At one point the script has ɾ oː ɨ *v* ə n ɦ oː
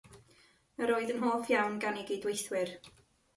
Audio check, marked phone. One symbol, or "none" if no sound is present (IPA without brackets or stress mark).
ð